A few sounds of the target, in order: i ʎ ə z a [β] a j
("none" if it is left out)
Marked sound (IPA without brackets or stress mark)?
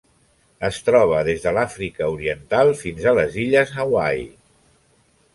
w